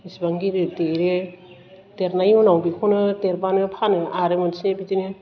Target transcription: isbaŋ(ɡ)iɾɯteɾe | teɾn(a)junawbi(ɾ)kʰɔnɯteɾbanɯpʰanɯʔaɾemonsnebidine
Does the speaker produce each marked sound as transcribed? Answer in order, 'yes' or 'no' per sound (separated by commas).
yes, yes, no